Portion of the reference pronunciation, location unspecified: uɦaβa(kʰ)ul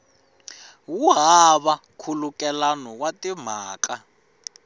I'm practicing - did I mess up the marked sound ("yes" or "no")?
no